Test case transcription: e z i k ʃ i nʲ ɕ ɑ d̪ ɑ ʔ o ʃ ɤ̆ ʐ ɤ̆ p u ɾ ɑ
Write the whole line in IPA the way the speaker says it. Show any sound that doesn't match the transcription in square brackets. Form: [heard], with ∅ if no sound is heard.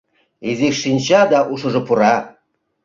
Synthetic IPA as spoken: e z i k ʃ i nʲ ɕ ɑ d̪ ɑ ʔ [u] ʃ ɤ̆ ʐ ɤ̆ p u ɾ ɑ